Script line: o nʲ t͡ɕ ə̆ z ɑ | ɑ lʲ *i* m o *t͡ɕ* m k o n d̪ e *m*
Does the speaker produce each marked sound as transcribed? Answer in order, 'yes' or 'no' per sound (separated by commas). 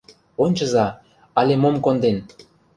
no, no, no